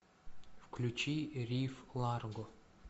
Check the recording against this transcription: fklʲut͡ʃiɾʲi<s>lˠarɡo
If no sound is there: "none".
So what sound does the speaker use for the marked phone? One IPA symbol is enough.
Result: f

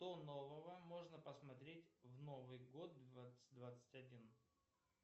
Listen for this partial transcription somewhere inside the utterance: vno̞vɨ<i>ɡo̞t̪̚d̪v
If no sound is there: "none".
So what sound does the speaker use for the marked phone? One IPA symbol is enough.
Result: j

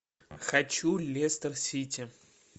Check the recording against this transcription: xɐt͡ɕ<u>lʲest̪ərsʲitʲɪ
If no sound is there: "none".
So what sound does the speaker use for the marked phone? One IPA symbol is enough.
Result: u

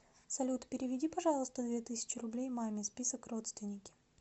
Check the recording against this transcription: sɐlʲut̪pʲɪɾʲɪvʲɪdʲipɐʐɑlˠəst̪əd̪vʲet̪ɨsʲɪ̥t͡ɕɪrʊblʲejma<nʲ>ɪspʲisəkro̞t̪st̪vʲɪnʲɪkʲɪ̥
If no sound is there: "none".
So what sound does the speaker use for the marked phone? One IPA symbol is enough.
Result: mʲ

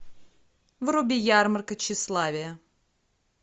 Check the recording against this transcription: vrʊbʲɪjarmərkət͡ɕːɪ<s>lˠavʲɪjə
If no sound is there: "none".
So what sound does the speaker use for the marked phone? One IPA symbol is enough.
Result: s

